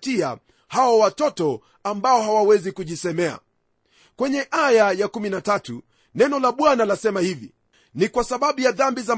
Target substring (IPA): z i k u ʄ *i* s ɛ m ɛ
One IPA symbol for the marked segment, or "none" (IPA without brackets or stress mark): i